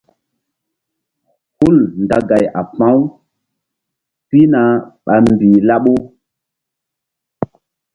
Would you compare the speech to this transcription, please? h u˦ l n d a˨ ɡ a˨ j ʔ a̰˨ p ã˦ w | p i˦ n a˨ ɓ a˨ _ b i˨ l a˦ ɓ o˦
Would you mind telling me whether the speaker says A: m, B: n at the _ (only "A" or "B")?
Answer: A